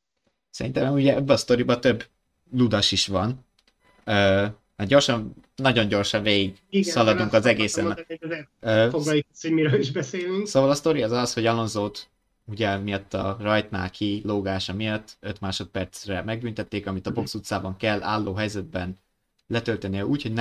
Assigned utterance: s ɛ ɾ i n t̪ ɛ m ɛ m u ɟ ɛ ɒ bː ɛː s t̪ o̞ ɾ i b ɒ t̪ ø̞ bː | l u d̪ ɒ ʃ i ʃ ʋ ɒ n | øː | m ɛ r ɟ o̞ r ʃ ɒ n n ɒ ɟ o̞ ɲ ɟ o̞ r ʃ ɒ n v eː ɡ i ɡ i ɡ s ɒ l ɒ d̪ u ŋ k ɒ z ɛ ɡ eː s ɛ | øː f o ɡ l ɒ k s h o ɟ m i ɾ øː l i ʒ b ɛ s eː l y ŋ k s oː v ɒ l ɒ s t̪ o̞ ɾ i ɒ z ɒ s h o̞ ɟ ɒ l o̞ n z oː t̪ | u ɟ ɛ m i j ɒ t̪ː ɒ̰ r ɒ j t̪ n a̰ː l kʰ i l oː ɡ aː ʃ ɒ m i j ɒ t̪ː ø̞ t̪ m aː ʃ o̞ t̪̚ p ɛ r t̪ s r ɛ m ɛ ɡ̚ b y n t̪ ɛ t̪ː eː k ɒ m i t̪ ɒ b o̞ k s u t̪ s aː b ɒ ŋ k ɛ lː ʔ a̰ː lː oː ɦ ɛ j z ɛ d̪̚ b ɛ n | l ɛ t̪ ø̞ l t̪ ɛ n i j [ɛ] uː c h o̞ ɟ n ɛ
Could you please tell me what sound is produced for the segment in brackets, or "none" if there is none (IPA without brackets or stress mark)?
ɛ